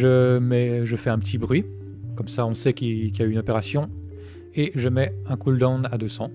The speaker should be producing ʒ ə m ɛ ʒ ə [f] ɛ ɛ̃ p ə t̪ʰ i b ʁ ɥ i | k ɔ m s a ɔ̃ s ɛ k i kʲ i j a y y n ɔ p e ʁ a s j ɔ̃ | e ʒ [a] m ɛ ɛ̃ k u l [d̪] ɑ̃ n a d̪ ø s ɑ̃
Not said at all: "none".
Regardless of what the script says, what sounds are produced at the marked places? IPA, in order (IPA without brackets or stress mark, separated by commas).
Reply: f, ə, d̪